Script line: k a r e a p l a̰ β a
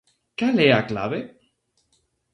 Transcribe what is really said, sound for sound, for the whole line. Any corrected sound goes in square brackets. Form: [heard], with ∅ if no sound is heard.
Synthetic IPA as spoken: k a [l] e a [k] l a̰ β [e]